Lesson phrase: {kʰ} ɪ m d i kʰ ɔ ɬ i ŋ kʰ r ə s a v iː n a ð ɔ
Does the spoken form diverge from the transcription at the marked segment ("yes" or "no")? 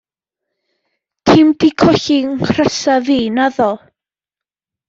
yes